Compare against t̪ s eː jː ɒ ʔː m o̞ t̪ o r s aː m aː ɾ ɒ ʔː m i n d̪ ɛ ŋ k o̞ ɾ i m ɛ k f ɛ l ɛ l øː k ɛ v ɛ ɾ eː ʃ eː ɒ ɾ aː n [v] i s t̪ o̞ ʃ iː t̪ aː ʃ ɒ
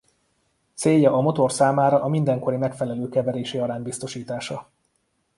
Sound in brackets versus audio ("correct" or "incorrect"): incorrect